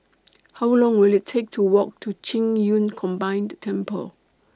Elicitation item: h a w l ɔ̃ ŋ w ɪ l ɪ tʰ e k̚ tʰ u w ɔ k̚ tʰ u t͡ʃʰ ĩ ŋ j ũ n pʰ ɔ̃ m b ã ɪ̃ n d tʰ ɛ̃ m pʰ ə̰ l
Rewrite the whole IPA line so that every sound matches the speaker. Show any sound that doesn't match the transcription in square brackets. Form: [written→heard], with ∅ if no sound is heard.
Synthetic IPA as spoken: h a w l ɔ̃ ŋ w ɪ l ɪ tʰ e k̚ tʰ u w ɔ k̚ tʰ u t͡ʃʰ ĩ ŋ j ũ n [pʰ→kʰ] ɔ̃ m b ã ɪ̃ n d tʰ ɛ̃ m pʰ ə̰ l